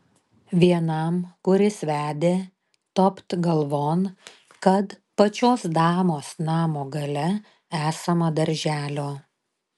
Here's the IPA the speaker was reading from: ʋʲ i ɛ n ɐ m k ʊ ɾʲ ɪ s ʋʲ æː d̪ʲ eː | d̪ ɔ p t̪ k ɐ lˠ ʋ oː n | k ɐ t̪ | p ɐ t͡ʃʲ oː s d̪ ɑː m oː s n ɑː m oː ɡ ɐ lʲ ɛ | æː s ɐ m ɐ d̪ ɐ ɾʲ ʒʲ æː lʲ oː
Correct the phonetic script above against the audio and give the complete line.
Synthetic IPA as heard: ʋʲ i ɛ n ɐ m k ʊ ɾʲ ɪ s ʋʲ æː d̪ʲ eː | t̪ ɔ p t̪ ɡ ɐ lˠ ʋ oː n | k ɐ t̪ | p ɐ t͡ʃʲ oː s d̪ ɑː m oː s n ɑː m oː ɡ ɐ lʲ ɛ | æː s ɐ m ɐ d̪ ɐ ɾʲ ʒʲ æː lʲ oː